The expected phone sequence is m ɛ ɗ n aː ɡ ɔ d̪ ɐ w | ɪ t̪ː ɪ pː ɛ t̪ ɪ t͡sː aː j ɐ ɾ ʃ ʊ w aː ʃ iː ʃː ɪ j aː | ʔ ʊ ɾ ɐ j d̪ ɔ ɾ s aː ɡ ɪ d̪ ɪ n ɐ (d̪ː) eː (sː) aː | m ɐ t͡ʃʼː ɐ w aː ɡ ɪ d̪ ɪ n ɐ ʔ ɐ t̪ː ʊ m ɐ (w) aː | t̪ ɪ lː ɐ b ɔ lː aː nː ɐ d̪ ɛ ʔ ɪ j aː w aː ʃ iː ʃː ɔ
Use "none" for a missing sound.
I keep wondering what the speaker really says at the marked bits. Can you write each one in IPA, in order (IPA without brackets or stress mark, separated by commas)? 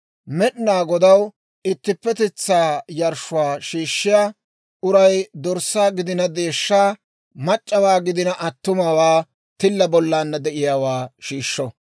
d̪, ʃː, w